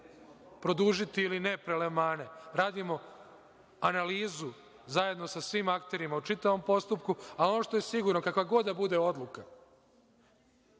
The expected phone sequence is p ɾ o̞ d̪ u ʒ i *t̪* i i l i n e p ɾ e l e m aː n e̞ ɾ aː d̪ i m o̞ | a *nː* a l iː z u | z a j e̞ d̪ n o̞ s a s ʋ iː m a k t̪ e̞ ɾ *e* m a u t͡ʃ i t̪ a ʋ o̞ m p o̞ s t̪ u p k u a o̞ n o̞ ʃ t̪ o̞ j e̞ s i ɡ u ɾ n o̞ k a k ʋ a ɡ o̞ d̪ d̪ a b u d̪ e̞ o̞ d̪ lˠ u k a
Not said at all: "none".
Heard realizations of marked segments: t̪, n, i

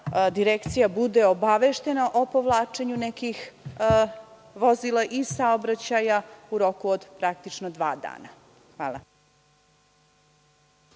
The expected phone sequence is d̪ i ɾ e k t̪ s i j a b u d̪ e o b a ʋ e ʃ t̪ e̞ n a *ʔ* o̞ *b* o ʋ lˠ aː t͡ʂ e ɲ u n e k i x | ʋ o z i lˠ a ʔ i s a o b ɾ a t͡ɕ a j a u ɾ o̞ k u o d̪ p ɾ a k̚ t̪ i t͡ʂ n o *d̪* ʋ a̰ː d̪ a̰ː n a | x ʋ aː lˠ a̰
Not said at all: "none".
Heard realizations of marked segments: ʔ, p, d̪

